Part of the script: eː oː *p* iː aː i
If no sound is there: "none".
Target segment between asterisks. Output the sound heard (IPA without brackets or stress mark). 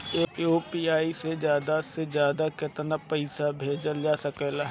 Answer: p